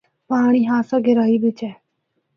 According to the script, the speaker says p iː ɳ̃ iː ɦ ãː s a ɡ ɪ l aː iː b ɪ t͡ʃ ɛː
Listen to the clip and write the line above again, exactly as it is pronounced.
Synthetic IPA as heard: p aː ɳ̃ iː ɦ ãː s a ɡ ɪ ɾ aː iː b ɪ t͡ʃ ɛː